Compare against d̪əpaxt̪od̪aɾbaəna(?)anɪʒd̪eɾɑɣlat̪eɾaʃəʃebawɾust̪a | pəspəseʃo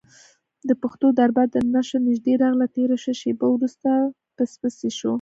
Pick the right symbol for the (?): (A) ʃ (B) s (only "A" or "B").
A